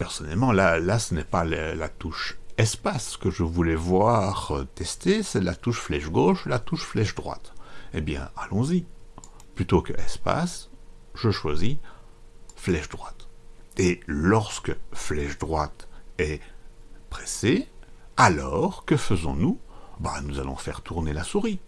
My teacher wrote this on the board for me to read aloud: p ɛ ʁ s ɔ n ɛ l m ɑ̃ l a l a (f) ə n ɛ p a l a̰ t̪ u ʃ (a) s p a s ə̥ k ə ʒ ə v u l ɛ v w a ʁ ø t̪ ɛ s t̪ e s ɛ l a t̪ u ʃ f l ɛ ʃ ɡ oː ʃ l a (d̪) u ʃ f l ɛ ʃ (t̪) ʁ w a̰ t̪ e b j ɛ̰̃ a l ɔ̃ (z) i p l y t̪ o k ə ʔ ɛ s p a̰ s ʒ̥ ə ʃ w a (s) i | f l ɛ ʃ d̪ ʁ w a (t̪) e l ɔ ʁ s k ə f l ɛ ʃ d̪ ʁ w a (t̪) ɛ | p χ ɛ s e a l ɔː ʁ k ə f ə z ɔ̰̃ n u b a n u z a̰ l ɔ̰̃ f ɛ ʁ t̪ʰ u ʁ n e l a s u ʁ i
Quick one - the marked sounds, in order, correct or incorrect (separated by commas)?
incorrect, incorrect, incorrect, incorrect, correct, incorrect, correct, correct